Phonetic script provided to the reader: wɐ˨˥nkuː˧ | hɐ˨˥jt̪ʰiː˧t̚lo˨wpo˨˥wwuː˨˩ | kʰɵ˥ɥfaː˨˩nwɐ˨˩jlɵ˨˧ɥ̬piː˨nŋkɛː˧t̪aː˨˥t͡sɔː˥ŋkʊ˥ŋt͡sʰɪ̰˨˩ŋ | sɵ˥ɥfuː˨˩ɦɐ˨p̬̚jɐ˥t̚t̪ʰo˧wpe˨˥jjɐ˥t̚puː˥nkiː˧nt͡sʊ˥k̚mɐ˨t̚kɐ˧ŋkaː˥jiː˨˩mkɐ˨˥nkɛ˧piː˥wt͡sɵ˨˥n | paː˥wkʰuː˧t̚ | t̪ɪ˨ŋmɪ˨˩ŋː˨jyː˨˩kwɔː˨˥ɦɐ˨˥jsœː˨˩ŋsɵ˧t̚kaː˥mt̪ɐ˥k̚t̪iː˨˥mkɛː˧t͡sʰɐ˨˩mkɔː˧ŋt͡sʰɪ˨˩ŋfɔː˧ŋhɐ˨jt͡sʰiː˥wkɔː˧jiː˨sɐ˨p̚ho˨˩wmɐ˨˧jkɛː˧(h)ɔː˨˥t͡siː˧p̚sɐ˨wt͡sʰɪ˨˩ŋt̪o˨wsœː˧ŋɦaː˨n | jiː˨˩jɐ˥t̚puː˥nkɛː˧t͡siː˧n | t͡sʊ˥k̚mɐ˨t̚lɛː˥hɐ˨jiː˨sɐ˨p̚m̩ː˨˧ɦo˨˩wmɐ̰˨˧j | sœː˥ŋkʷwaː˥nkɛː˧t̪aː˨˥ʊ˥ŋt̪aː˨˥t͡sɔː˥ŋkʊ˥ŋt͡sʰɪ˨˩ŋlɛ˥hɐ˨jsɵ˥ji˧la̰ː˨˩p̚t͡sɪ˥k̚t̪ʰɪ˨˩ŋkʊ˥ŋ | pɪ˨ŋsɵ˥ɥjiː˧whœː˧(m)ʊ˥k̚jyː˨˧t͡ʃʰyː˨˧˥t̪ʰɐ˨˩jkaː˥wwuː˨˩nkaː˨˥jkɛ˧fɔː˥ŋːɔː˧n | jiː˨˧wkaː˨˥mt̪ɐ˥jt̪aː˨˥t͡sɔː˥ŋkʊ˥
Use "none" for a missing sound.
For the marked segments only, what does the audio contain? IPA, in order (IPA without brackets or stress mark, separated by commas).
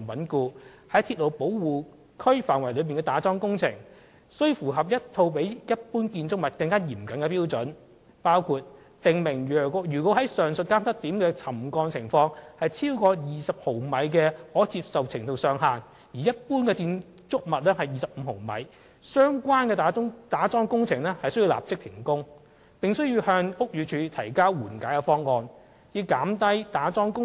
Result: h, ŋ